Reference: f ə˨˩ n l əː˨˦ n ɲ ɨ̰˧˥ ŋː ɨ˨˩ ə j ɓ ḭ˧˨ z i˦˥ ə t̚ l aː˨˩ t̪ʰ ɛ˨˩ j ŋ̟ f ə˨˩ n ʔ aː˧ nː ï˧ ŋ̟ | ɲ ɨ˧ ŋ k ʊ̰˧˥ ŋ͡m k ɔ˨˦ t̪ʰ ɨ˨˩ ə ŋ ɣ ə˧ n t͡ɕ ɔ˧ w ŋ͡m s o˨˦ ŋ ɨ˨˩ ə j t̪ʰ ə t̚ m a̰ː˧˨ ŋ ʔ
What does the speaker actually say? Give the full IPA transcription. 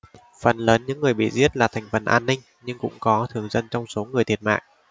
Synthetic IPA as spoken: f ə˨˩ n l əː˨˦ n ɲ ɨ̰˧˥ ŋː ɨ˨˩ ə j ɓ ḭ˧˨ z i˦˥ ə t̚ l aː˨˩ t̪ʰ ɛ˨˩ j ŋ̟ f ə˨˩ n ʔ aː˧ nː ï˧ ŋ̟ | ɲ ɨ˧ ŋ k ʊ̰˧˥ ŋ͡m k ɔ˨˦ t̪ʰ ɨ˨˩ ə ŋ z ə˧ n t͡ɕ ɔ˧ w ŋ͡m s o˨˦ ŋ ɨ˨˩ ə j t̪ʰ ə t̚ m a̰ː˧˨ ŋ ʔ